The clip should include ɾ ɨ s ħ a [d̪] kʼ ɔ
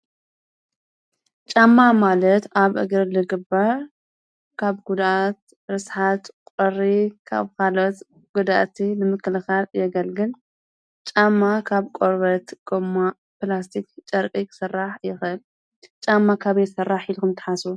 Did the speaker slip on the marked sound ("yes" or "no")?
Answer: yes